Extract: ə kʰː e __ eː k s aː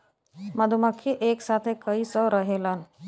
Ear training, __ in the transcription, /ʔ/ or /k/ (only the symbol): ʔ